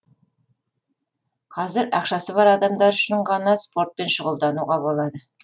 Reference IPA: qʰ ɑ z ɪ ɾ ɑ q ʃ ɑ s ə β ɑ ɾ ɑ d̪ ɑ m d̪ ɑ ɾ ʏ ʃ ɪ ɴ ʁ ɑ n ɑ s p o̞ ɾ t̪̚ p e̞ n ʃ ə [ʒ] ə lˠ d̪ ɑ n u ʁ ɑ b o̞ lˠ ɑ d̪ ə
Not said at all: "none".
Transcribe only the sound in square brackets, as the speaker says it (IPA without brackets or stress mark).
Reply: ʁ